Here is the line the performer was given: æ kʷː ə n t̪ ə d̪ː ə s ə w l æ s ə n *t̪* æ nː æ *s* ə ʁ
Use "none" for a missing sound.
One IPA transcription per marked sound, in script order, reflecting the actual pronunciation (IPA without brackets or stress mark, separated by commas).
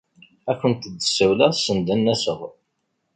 d̪, s